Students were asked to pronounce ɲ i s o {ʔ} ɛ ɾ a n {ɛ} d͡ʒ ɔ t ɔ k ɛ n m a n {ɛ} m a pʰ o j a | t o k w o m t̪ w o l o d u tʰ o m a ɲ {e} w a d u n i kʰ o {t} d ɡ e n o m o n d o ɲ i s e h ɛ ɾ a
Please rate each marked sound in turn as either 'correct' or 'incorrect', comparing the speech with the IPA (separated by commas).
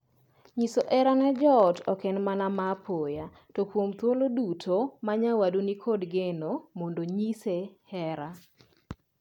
correct, correct, incorrect, incorrect, incorrect